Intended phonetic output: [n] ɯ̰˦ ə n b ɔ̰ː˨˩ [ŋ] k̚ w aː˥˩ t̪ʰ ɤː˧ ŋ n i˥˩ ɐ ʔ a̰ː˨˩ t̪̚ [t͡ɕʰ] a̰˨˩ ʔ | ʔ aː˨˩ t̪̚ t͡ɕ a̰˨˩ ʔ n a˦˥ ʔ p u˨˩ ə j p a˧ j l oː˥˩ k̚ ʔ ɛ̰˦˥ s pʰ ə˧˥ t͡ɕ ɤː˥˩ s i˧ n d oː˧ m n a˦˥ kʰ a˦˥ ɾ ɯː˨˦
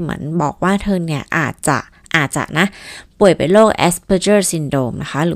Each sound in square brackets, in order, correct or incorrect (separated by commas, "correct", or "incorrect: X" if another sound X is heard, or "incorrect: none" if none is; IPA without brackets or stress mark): incorrect: m, incorrect: none, incorrect: t͡ɕ